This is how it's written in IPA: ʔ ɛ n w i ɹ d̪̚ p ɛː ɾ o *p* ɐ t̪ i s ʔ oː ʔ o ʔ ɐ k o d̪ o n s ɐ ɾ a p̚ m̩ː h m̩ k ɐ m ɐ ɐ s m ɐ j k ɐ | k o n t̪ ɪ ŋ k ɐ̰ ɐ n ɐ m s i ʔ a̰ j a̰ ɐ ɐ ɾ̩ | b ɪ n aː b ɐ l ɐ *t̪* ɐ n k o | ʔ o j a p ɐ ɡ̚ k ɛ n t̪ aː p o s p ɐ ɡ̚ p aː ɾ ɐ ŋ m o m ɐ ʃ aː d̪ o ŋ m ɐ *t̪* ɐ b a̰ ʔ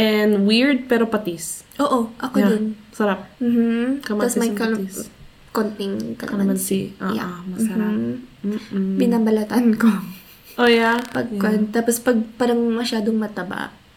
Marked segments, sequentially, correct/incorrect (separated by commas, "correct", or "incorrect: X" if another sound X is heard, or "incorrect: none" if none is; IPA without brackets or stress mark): correct, correct, correct